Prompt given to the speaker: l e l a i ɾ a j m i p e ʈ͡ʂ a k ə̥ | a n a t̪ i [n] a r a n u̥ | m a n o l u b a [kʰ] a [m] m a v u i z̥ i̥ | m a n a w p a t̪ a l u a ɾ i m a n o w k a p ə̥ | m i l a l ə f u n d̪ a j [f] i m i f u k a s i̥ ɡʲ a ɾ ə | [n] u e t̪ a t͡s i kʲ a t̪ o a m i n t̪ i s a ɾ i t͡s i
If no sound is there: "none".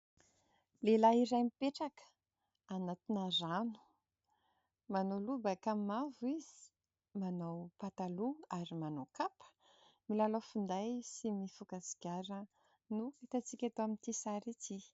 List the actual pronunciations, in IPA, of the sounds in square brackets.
n, k, m, s, n

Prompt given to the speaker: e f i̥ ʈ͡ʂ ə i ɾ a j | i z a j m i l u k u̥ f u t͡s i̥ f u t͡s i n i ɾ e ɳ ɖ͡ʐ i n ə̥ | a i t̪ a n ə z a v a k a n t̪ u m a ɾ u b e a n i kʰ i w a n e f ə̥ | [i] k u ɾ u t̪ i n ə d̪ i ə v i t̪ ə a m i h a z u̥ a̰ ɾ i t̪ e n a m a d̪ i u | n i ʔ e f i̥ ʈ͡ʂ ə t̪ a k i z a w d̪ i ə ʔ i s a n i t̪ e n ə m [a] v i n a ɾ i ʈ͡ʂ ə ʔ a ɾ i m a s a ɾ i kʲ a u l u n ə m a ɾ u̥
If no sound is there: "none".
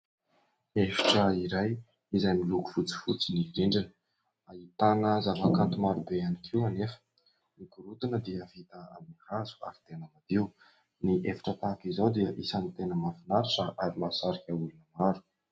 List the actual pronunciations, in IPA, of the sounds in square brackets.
i, a

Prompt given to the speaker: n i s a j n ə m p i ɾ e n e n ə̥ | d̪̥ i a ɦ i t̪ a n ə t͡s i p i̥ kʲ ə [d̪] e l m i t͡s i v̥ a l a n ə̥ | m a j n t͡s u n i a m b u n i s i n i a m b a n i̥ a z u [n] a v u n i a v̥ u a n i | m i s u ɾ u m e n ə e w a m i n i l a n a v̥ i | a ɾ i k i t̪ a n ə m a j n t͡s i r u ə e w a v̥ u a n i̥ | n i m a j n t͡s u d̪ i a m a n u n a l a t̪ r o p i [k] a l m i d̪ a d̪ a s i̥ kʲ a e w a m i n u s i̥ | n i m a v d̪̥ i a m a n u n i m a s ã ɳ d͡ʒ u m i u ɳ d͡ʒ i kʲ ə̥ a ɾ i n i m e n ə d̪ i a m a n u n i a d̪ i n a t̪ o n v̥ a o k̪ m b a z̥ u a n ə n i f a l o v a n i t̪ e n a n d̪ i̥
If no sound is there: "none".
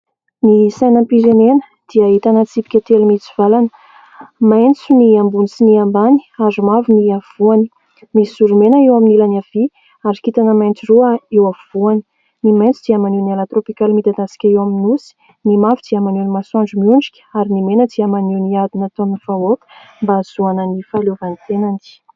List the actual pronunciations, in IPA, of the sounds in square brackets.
t̪, m, k

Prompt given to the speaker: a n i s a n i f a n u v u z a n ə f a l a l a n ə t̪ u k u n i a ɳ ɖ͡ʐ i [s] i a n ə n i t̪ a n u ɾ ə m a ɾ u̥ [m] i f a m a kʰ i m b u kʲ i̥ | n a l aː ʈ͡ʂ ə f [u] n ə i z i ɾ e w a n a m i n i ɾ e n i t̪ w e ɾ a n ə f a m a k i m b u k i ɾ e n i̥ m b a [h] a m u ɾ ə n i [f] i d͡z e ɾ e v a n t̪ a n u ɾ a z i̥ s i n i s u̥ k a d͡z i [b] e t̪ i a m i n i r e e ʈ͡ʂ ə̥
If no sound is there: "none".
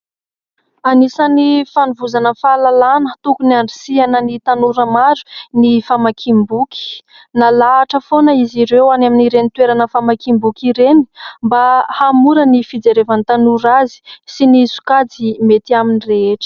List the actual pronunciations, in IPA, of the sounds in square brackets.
s, n, o, h, f, m

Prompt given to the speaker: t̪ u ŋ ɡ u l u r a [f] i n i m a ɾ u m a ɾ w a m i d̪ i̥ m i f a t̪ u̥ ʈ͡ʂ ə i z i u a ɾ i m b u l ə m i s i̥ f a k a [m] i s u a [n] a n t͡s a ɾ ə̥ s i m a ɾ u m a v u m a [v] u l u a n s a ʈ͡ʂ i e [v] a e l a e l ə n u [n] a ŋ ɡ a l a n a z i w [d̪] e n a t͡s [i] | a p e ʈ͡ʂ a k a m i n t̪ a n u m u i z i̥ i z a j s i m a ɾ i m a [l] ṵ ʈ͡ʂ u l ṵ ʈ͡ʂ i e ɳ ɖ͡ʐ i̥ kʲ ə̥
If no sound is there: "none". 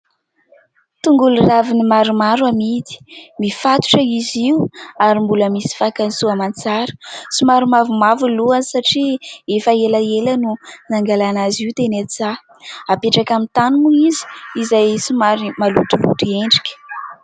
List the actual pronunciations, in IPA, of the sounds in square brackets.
v, n, m, v, f, n, t̪, a, l

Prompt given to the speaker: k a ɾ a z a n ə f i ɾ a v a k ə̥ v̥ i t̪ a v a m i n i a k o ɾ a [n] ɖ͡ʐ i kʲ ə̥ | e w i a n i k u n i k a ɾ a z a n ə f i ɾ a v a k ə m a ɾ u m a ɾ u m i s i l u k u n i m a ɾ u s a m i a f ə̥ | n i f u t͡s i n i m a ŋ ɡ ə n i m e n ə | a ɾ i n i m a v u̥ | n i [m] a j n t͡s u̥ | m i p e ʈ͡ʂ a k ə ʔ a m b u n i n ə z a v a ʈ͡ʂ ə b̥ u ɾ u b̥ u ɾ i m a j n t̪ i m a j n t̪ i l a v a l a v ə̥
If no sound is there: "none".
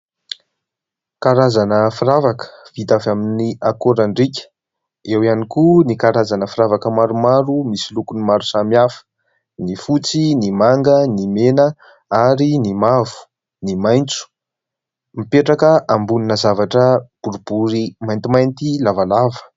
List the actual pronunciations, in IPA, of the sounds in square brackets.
ɳ, m

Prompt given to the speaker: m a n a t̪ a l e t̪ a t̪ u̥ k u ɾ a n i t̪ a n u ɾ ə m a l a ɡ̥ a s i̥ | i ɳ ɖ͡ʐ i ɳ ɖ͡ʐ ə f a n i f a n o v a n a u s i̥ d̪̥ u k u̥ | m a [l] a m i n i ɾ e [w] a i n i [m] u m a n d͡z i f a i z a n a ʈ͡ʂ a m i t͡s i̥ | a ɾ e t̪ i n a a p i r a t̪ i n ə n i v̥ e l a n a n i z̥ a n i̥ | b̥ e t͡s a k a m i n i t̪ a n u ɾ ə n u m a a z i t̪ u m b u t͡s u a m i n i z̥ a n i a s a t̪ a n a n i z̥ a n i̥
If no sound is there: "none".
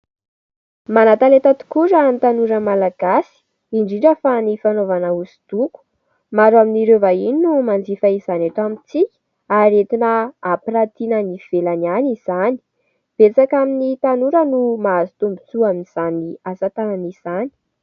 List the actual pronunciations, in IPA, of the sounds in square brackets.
ɾ, v, n

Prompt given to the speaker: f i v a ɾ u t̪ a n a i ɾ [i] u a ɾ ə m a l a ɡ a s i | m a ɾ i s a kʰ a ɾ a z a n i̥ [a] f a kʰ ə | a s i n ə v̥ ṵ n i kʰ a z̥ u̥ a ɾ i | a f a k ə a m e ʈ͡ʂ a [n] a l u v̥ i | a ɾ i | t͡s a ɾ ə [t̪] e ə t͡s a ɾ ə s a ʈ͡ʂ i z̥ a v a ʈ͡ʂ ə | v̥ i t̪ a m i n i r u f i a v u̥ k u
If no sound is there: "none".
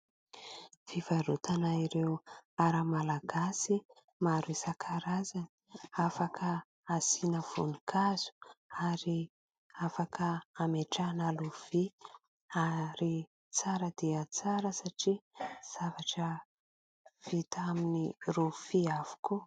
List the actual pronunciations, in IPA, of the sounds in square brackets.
e, a, n, d̪

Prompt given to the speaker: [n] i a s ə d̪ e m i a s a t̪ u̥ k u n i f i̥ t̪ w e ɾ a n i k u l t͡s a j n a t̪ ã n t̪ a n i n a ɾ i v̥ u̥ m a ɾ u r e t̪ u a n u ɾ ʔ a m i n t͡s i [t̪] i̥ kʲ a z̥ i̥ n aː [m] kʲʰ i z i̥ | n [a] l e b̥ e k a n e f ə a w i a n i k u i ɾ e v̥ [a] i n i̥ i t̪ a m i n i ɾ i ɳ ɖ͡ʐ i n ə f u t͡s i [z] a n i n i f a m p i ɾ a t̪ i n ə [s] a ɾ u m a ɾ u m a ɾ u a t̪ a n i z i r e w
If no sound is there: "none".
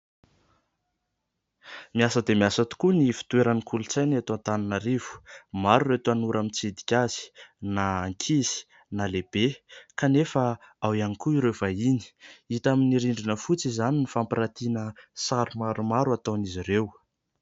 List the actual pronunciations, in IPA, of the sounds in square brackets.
m, d̪, ŋ, a, a, z, s

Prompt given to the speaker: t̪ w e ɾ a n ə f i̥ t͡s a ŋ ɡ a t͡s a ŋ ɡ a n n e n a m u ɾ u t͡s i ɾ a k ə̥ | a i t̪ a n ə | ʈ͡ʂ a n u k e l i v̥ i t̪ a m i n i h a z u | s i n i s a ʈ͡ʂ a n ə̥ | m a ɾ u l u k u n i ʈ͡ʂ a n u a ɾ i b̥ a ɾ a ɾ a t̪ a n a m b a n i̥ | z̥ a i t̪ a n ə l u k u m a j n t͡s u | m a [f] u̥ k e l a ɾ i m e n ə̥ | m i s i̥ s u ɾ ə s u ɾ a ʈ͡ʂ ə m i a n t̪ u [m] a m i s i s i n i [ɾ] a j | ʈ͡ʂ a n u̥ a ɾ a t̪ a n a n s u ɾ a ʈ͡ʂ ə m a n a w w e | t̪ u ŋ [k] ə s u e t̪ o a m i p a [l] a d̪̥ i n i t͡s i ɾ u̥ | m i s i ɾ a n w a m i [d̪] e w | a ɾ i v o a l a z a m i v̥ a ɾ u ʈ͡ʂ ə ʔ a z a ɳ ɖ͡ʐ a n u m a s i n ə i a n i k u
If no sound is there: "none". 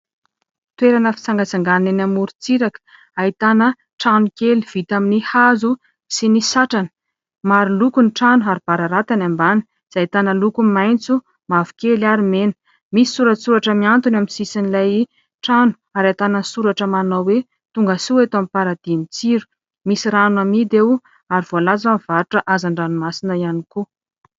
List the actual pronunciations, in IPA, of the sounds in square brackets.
v, n, l, ɡ, ɾ, d̪

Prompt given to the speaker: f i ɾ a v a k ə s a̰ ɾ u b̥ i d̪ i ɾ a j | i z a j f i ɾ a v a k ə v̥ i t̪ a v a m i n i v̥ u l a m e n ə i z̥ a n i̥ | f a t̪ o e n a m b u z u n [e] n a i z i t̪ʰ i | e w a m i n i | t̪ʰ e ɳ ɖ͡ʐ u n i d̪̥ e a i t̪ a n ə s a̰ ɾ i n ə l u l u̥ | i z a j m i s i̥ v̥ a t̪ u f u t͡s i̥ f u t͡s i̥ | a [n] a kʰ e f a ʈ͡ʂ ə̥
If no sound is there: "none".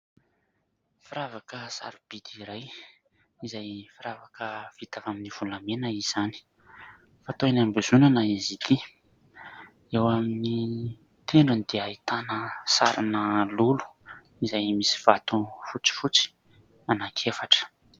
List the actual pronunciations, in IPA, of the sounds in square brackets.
a, n

